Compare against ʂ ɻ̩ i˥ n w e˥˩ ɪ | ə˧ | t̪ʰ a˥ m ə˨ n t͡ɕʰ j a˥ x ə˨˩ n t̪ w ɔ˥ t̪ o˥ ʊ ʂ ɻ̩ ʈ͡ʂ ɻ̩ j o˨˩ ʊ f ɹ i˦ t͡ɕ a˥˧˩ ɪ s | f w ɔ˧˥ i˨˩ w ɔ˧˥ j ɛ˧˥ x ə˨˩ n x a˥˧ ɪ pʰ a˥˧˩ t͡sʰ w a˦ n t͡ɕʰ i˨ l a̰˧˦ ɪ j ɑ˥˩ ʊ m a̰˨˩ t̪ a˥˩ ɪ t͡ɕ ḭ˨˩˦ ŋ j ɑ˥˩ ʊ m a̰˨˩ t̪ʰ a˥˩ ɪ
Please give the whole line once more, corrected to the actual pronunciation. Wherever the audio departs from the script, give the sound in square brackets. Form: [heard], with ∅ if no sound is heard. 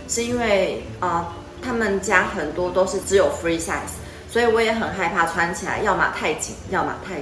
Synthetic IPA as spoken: ʂ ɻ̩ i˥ n w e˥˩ ɪ | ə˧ | t̪ʰ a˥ m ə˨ n [t͡ɕ] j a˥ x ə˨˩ n t̪ w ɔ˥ t̪ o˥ ʊ ʂ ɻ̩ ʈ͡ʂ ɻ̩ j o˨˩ ʊ f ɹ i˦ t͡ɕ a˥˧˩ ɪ s | [s] w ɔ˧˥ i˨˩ w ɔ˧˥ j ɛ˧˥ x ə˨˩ n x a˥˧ ɪ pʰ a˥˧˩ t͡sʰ w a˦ n t͡ɕʰ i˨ l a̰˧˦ ɪ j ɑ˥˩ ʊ m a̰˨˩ [t̪ʰ] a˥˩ ɪ t͡ɕ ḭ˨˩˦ ŋ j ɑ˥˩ ʊ m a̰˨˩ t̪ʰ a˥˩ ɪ